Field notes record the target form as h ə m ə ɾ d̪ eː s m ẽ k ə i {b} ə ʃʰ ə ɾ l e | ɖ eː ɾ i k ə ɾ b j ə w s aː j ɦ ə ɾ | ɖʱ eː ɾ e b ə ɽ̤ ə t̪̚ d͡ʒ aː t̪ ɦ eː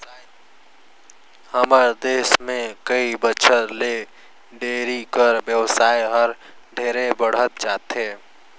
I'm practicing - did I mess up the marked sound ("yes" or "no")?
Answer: no